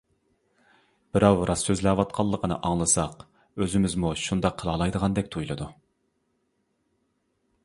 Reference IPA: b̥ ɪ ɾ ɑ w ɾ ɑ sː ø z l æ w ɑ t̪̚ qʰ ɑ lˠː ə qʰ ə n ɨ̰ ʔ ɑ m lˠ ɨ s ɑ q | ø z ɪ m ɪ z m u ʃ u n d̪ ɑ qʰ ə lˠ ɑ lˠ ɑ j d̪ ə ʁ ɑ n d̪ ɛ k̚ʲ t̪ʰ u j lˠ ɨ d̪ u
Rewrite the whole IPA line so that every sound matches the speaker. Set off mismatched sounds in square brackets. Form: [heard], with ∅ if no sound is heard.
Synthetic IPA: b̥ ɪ ɾ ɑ w ɾ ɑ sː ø z l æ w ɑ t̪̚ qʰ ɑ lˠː ə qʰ ə n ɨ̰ ʔ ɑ [ŋ] lˠ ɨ s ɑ q | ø z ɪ m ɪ z m u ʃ u n d̪ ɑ qʰ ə lˠ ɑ lˠ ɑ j d̪ ə ʁ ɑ n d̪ ɛ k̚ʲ t̪ʰ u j lˠ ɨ d̪ u